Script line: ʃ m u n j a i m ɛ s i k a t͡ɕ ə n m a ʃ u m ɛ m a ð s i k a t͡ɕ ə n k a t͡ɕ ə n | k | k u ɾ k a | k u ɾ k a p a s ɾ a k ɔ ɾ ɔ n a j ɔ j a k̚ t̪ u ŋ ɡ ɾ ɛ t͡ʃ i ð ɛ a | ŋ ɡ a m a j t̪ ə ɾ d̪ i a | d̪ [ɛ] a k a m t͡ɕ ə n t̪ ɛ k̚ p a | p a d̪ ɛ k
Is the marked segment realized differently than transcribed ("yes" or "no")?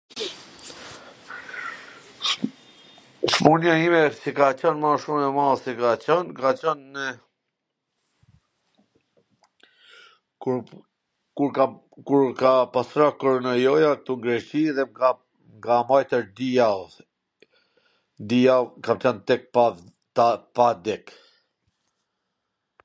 yes